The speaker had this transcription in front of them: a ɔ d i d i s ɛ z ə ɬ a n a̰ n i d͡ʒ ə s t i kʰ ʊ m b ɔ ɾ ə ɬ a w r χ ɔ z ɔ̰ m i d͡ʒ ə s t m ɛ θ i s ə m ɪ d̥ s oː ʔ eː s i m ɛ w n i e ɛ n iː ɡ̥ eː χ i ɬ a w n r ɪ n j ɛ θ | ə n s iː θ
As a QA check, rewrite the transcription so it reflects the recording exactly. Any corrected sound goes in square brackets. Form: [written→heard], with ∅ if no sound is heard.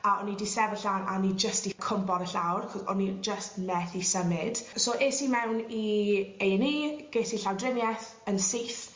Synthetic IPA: a ɔ [d→n] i d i s ɛ [z→v] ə ɬ a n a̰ n i d͡ʒ ə s t i kʰ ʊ m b ɔ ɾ ə ɬ a w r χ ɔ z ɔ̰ [m→n] i d͡ʒ ə s t m ɛ θ i s ə m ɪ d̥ s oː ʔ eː s i m ɛ w n i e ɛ n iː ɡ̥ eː [χ→s] i ɬ a w [n→d] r ɪ [n→m] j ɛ θ | ə n s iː θ